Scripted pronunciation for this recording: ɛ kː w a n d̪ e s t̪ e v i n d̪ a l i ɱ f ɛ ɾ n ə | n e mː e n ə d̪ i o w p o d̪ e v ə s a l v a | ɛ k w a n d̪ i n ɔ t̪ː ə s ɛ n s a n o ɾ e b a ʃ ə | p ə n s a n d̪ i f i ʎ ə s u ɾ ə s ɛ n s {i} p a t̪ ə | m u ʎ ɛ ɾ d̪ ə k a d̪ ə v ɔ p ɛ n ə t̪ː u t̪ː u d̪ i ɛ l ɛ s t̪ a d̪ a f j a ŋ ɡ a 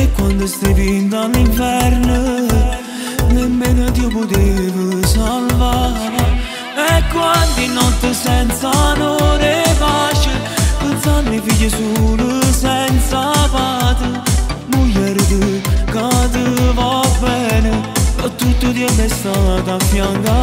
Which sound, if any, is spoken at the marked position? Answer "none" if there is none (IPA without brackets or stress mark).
a